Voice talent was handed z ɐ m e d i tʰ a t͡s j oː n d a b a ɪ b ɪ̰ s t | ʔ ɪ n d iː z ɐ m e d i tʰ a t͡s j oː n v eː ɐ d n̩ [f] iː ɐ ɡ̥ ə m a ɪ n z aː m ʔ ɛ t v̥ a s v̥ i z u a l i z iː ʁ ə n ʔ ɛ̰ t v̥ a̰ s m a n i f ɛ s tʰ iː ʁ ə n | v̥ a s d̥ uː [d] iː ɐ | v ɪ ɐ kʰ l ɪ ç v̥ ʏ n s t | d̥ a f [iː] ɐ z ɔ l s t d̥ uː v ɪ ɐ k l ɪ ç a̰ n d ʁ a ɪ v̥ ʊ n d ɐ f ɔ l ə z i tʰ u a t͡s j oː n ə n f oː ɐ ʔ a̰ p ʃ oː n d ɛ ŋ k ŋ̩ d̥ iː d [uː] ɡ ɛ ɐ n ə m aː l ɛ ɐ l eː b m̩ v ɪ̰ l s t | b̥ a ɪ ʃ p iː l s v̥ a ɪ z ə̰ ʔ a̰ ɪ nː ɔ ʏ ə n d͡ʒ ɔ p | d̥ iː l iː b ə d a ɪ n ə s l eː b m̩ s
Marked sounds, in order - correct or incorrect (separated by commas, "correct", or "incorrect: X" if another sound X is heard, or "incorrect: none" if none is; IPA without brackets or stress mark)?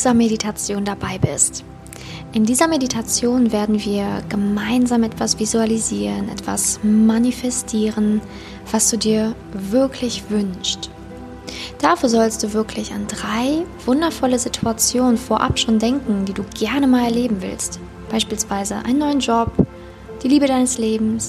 incorrect: v, correct, incorrect: yː, correct